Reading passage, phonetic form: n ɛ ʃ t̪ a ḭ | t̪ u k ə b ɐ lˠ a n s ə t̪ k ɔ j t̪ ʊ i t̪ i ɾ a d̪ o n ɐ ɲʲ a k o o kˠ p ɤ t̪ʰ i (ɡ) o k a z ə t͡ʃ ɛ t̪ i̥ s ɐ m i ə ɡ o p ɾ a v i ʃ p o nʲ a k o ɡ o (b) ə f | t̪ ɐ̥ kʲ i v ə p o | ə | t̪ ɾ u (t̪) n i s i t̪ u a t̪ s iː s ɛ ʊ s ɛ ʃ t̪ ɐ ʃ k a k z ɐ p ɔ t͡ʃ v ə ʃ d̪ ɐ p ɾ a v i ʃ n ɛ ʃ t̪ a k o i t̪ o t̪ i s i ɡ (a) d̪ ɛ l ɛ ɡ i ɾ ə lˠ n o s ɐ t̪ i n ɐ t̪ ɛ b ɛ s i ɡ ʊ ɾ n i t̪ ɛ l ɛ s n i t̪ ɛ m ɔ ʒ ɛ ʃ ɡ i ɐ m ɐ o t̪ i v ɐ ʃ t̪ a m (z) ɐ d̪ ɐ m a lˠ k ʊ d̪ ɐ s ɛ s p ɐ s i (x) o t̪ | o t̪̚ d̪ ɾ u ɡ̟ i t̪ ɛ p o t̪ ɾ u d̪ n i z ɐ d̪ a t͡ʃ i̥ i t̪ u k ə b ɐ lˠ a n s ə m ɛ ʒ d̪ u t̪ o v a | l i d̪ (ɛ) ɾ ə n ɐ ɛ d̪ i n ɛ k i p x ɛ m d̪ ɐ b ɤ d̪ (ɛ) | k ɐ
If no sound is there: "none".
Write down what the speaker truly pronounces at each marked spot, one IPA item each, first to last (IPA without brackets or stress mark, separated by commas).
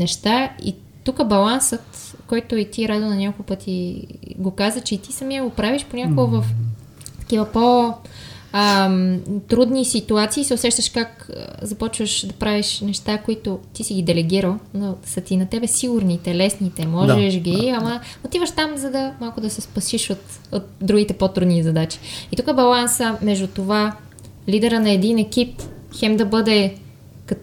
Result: ɡ, v, d̪, i, z, ʃ, ɛ, ɛ